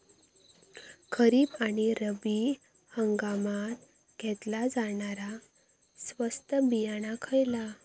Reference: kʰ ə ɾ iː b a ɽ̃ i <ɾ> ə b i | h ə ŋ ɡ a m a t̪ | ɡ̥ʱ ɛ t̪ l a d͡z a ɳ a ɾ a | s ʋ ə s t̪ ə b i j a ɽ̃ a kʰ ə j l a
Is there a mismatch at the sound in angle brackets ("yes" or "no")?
no